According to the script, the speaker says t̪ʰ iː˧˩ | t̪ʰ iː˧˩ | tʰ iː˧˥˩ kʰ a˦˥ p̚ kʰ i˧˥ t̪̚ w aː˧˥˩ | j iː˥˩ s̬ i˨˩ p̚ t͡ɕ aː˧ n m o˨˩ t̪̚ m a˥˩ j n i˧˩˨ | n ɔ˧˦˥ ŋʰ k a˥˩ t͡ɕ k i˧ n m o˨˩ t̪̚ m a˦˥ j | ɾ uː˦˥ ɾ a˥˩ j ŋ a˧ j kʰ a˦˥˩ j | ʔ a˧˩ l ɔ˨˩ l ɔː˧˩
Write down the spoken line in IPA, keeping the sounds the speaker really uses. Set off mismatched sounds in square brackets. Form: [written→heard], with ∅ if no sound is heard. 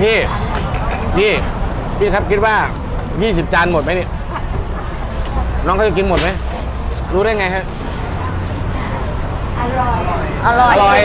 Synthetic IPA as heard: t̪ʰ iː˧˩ | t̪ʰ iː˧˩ | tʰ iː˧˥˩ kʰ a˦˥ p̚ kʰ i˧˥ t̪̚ w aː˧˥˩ | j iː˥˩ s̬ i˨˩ p̚ t͡ɕ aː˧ n m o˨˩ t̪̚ m [a˥˩→a˦˥] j n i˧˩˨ | n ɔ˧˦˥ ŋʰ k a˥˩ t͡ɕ k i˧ n m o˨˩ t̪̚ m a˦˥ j | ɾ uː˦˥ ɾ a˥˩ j ŋ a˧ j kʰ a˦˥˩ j | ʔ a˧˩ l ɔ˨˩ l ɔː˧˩